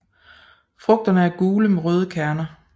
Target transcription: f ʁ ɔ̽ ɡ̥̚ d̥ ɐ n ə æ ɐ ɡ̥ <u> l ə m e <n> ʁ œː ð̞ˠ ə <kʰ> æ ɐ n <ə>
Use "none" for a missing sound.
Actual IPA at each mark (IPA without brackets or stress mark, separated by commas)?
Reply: uː, none, kʰ, ɐ